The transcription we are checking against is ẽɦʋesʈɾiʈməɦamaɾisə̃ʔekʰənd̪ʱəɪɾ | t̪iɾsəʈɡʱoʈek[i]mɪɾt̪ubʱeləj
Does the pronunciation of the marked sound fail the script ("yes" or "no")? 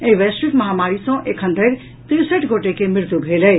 yes